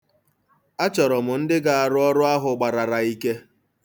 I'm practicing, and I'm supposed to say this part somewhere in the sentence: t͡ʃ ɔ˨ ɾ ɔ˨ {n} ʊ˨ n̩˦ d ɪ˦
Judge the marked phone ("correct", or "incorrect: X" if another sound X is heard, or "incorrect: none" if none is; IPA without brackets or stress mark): incorrect: m